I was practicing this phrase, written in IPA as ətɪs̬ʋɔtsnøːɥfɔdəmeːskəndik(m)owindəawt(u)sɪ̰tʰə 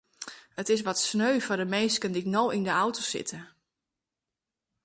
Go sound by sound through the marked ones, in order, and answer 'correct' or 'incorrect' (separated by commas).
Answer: incorrect, incorrect